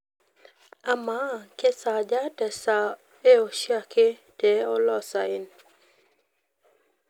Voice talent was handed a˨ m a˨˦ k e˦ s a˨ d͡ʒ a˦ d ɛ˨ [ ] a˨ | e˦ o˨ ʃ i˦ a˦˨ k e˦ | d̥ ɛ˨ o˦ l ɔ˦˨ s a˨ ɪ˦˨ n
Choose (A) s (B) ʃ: A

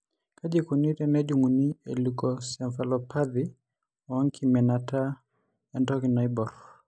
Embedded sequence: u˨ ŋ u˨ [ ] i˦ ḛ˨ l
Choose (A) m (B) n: B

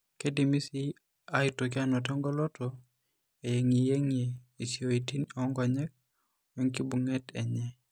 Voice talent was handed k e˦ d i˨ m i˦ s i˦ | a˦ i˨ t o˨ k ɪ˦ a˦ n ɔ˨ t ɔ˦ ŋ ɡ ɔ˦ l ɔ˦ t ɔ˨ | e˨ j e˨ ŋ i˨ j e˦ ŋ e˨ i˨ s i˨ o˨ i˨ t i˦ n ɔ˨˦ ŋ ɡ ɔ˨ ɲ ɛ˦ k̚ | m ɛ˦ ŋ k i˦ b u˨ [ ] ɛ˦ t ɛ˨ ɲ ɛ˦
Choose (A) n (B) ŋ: B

